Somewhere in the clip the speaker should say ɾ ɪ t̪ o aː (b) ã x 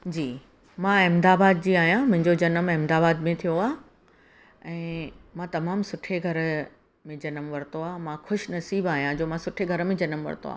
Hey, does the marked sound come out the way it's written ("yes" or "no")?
no